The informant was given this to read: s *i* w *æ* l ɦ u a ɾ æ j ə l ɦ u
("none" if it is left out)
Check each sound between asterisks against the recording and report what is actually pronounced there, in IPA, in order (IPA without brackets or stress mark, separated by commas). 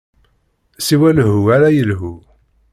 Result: i, æ